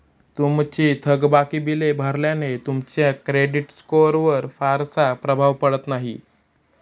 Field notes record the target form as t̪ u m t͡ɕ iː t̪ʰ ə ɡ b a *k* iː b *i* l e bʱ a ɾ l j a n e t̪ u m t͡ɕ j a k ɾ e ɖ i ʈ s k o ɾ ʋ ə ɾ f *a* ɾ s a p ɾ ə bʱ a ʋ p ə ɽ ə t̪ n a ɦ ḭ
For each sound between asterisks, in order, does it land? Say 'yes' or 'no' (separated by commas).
yes, yes, yes